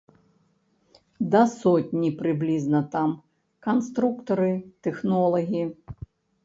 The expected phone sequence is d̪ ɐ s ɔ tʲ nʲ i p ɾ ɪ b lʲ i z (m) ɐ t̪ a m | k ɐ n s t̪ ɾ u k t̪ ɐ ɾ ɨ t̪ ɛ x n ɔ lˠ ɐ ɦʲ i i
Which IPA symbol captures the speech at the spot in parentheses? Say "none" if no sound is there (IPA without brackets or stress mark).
n